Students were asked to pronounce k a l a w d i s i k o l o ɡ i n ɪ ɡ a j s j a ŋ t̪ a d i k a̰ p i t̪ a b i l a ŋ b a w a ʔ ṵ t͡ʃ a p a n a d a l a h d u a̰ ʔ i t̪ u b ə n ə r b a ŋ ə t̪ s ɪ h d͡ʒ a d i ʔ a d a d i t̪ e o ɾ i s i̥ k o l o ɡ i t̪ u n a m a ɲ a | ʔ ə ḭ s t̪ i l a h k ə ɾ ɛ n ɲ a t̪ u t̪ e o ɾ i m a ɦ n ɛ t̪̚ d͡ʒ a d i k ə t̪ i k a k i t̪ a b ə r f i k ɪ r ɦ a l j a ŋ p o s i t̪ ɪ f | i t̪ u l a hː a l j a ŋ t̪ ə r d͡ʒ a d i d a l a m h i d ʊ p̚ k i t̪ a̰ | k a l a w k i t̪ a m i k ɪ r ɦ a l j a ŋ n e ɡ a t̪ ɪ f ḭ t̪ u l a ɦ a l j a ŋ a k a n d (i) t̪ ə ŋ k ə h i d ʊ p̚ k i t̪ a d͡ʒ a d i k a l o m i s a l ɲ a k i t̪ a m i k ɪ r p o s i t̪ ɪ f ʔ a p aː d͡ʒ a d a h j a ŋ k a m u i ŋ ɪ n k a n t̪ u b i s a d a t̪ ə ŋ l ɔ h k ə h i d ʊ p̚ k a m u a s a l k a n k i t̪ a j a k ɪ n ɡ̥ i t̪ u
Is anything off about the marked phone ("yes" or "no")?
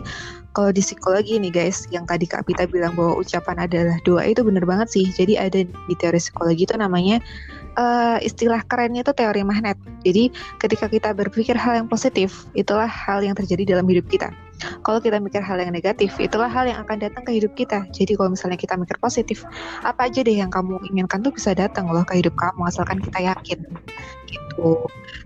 yes